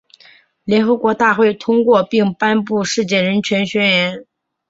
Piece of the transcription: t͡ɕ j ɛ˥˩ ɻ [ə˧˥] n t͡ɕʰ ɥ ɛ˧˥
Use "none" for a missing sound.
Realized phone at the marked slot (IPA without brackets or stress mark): ə˧˥